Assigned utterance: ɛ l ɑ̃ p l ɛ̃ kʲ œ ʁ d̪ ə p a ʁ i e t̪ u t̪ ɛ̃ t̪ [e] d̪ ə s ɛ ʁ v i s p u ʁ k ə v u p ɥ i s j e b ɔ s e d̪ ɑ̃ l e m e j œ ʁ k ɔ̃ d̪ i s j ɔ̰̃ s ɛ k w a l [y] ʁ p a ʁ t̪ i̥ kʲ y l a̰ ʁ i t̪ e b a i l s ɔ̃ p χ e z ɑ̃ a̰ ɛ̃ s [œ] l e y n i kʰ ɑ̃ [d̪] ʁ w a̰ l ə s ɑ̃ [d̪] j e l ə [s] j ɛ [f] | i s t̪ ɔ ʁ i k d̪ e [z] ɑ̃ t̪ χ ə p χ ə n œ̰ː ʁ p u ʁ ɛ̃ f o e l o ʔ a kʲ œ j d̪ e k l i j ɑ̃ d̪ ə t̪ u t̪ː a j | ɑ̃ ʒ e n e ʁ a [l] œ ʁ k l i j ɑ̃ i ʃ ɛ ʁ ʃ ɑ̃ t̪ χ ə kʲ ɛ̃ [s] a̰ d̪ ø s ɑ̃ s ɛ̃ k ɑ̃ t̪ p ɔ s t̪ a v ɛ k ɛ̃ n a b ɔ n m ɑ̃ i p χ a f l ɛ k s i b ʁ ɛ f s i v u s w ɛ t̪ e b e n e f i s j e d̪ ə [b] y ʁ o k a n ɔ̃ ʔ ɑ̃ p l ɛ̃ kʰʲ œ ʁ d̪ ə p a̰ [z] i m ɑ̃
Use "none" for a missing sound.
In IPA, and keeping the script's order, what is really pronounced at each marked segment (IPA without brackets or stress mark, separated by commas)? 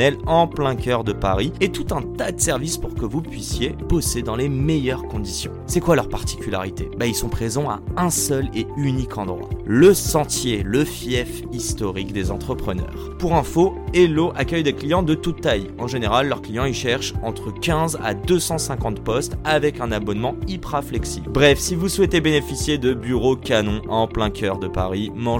a, œ, œ, d̪, t̪, f, f, z, lː, z, b, ʁ